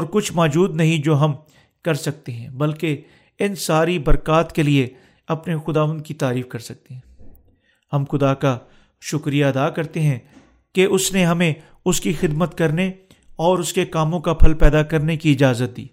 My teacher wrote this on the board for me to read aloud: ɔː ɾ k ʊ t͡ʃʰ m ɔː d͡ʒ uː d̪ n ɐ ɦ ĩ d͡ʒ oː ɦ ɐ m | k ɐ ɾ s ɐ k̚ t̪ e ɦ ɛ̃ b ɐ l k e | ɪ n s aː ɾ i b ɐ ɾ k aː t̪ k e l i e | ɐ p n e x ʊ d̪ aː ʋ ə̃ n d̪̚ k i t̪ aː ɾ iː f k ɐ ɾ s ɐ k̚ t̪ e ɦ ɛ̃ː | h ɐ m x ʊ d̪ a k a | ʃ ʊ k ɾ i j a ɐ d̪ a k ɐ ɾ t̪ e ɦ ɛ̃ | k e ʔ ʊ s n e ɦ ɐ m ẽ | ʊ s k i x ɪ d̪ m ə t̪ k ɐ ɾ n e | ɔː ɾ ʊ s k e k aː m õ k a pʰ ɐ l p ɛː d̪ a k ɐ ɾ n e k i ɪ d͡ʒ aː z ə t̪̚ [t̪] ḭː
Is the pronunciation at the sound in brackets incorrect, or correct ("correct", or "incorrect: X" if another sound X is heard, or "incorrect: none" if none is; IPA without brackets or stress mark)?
incorrect: d̪